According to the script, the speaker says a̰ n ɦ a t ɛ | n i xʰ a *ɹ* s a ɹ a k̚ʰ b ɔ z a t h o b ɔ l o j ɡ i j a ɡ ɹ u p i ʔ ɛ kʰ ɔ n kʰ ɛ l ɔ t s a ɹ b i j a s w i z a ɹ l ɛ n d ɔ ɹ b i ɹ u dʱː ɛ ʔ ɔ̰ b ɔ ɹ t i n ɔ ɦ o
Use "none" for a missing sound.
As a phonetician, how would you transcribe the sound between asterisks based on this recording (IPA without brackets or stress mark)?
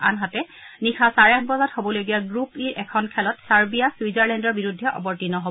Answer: none